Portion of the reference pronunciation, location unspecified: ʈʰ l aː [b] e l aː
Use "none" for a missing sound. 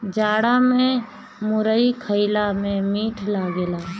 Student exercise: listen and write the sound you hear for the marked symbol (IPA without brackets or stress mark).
ɡ